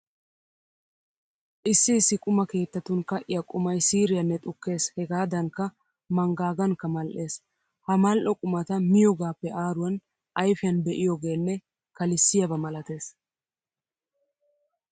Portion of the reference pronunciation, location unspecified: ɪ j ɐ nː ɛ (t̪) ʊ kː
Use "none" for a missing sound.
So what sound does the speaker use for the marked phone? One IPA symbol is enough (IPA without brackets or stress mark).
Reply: t̪ʼ